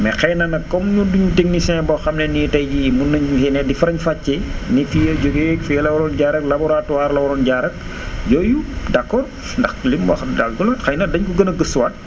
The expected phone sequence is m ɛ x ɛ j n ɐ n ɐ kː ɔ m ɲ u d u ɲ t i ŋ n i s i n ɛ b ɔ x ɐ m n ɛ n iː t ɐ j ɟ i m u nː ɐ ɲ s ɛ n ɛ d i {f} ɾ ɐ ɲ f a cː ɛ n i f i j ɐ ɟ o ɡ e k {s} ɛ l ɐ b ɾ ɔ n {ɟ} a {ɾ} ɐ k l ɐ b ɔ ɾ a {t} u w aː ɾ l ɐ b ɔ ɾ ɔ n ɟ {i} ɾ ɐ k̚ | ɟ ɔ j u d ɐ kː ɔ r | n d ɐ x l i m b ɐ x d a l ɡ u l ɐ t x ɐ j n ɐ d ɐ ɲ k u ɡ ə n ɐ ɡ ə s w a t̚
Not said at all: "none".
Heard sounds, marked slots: f, f, ɟ, ɾ, t, a

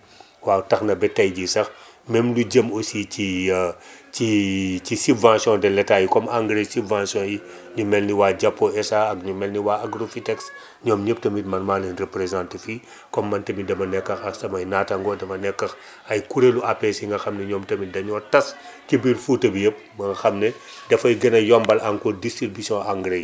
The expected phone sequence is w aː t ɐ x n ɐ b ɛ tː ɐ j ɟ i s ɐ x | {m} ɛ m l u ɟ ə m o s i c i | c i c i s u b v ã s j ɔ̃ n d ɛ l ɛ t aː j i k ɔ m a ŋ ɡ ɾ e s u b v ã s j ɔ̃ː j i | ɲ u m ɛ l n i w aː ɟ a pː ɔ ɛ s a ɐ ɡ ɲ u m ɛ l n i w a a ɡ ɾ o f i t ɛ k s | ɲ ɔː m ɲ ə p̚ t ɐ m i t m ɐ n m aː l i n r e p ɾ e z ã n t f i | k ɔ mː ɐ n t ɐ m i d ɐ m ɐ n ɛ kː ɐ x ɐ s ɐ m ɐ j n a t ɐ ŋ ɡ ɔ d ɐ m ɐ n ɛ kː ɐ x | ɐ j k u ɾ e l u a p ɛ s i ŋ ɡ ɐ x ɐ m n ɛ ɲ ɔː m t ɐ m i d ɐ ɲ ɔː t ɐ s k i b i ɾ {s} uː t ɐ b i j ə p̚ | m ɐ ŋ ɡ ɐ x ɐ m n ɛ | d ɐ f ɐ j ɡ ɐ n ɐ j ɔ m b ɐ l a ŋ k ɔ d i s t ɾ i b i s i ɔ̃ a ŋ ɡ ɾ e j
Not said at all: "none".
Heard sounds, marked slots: m, f

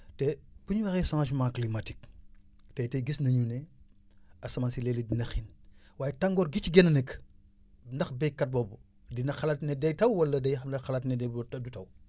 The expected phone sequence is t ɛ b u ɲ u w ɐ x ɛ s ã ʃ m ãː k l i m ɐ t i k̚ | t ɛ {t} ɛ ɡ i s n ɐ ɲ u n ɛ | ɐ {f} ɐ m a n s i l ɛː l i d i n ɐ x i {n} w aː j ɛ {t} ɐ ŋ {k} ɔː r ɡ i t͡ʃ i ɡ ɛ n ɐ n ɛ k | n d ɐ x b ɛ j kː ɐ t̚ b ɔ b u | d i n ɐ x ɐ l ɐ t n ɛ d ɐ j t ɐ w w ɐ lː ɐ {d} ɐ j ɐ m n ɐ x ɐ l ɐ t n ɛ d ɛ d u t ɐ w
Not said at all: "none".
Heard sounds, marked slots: t, s, n, t, ɡ, d

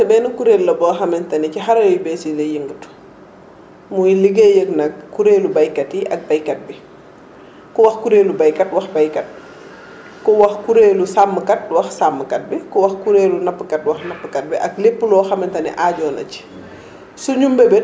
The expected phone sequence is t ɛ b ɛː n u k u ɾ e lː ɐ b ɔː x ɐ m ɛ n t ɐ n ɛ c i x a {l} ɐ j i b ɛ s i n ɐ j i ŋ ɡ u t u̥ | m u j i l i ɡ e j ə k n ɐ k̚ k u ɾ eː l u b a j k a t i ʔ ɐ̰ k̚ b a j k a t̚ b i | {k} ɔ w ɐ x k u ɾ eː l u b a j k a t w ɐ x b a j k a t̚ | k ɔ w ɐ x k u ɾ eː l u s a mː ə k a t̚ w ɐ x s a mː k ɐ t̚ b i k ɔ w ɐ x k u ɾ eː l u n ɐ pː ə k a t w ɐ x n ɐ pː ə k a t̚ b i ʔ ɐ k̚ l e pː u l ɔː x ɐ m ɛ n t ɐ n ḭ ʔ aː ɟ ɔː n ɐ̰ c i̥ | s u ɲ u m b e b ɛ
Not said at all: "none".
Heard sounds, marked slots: ɾ, k

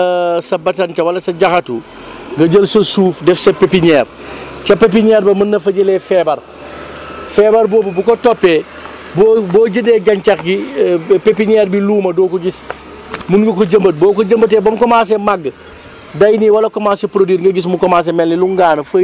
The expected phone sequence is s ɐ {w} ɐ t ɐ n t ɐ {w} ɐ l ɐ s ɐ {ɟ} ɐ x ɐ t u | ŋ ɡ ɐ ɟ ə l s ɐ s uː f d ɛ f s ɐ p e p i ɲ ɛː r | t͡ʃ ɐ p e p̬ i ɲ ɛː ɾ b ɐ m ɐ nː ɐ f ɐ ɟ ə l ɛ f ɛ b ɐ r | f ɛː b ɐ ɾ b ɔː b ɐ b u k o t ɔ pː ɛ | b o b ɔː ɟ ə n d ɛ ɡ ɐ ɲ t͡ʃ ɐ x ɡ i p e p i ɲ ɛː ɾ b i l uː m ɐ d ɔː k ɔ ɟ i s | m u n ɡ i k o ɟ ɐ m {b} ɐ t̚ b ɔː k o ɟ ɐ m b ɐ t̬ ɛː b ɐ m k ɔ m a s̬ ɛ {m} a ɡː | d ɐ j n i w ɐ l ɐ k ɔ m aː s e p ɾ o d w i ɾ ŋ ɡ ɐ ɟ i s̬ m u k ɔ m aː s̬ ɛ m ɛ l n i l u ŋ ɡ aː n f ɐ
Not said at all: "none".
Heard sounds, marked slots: b, w, ɟ, b, m

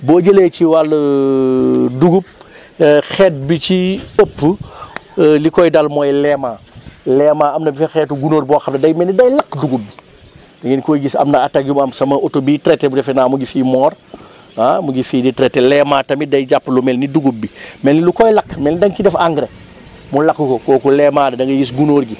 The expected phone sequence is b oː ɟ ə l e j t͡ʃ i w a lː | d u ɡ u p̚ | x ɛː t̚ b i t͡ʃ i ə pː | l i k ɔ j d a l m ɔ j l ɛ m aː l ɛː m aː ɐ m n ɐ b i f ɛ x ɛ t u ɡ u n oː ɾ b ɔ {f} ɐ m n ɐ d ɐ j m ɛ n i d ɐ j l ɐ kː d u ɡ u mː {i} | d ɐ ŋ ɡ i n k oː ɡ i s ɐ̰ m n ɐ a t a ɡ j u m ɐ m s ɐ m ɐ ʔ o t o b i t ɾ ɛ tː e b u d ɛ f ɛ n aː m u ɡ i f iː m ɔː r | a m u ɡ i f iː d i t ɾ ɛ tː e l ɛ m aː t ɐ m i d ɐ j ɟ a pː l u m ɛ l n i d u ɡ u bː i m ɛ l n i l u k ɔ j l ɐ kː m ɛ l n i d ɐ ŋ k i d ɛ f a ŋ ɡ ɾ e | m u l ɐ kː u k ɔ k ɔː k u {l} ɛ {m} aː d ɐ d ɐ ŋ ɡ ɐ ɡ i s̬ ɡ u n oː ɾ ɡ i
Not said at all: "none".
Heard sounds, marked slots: x, i, l, m

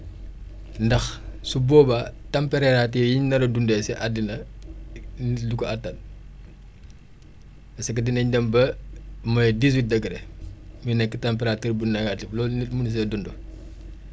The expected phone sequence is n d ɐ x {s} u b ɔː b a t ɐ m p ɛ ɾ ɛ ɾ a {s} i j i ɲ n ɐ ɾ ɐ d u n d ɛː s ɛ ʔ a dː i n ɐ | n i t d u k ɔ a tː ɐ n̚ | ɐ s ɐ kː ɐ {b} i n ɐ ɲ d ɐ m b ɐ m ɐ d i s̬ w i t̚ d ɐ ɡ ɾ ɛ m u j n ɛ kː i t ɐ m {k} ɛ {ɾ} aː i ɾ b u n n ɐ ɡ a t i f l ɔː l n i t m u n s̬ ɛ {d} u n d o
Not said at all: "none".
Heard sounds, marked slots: s, t, d, p, ɾ, d

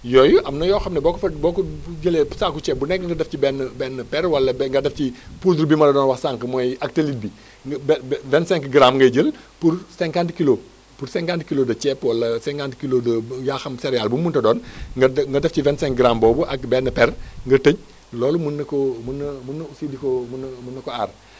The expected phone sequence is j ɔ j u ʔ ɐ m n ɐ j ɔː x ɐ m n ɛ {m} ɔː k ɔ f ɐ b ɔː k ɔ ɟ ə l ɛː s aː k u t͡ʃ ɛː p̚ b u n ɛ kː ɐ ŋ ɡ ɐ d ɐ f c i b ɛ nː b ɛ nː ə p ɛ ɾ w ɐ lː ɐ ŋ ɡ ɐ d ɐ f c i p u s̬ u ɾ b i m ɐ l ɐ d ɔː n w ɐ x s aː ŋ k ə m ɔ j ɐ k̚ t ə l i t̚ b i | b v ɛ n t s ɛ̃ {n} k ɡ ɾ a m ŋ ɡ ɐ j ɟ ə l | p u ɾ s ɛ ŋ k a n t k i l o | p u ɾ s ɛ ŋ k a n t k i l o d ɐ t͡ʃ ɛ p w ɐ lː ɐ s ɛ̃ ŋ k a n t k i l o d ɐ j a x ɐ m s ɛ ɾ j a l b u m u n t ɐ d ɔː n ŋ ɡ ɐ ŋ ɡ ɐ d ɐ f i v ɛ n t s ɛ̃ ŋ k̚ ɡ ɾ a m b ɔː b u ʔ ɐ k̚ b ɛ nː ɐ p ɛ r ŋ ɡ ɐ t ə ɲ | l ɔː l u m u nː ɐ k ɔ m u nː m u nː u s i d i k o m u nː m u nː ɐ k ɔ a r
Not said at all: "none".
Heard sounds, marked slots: b, ŋ

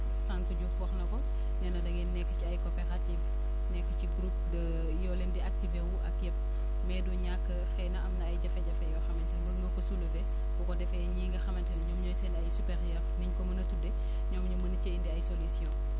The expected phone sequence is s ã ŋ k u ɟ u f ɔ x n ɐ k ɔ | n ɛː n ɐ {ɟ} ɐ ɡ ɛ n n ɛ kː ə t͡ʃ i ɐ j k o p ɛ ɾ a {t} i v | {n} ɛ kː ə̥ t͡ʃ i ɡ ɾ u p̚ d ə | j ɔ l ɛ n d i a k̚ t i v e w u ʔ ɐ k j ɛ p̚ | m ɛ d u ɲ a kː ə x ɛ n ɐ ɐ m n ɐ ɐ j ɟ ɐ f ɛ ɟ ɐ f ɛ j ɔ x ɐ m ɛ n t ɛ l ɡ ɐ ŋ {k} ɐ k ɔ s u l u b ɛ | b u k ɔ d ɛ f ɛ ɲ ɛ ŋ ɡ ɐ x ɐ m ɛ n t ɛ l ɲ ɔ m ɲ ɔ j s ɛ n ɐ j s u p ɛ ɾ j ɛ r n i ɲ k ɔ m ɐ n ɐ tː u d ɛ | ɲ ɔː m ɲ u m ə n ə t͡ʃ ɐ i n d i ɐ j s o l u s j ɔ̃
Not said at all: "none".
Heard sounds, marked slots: d, t, n, ɡ

